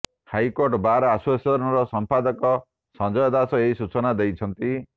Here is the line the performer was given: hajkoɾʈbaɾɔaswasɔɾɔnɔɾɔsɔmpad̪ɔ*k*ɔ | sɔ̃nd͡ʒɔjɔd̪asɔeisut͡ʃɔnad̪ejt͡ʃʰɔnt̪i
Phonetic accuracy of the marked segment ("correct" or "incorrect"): correct